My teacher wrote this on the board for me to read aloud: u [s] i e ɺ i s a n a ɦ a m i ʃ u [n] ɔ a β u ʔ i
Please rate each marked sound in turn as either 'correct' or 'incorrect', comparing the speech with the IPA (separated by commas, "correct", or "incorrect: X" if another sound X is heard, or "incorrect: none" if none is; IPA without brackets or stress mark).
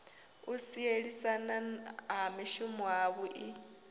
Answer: correct, incorrect: m